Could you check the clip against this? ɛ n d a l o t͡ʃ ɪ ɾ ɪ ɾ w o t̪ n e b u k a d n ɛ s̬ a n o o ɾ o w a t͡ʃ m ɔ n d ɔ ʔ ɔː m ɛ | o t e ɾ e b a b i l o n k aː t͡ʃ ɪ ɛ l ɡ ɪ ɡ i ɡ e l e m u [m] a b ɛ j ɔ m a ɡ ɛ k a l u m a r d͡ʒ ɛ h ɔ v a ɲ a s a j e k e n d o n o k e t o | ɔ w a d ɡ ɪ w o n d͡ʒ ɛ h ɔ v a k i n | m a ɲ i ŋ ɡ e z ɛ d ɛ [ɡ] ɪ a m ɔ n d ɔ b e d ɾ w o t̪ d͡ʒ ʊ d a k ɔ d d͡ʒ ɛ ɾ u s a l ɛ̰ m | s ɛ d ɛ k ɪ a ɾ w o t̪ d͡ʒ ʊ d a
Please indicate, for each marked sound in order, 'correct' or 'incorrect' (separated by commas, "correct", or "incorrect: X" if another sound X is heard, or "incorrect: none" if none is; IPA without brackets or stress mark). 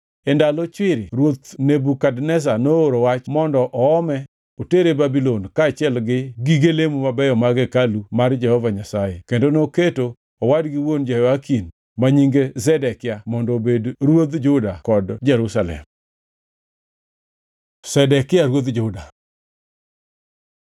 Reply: correct, incorrect: k